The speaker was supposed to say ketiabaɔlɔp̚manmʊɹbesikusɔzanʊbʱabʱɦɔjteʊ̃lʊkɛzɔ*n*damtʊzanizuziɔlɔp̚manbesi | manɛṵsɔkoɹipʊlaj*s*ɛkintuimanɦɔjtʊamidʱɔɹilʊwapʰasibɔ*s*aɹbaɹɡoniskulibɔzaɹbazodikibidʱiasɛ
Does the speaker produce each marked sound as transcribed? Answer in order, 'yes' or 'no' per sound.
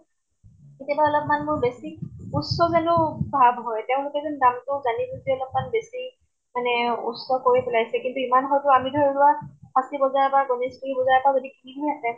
yes, yes, no

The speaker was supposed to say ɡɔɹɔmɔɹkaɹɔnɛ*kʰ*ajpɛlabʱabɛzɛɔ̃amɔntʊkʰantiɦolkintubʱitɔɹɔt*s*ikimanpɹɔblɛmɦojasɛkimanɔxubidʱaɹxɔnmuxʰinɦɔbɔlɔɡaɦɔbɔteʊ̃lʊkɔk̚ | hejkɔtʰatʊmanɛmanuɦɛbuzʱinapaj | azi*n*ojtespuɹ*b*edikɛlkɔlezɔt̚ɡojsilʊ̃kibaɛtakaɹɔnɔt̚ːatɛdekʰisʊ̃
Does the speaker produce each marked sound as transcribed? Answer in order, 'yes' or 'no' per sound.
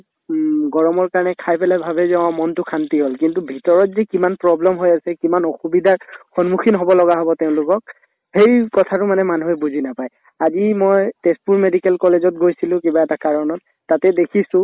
yes, no, no, no

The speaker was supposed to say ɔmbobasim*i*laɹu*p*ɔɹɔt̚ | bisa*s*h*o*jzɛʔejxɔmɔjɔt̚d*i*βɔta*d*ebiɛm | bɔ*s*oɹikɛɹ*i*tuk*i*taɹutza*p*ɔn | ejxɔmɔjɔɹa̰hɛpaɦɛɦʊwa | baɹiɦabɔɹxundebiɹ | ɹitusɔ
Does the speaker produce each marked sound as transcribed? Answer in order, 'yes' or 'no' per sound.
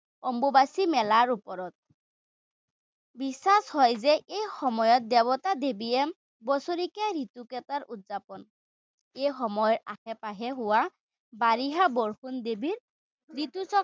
no, yes, yes, no, no, yes, yes, yes, no, yes

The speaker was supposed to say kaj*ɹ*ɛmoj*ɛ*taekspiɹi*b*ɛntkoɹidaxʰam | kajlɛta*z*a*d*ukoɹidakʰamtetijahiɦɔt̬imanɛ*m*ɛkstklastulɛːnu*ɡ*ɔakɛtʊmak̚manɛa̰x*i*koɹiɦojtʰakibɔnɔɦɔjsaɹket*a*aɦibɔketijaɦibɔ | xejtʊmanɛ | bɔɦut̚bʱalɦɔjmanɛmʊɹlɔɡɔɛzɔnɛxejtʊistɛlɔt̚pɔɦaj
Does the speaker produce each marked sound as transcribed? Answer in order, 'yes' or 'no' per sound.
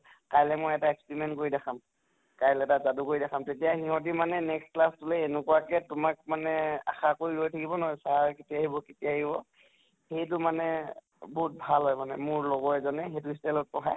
no, yes, no, yes, yes, no, no, no, no

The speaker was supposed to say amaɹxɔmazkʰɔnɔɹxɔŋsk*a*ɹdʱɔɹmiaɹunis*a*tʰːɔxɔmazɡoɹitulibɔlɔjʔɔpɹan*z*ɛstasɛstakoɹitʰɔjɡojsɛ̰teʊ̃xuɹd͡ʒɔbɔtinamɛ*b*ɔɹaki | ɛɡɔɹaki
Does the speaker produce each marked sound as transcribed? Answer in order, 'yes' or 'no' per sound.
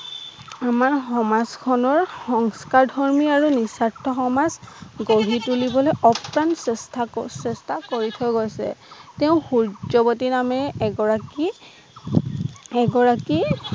yes, yes, no, no

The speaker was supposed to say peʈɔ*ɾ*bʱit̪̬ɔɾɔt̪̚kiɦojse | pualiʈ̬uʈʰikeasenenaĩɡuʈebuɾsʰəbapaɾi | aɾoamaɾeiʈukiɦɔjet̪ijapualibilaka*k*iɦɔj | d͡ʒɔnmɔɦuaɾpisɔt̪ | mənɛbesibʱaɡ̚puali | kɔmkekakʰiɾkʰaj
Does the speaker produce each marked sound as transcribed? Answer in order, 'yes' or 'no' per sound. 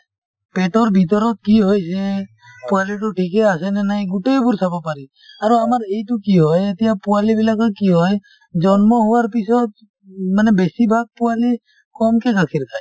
yes, yes

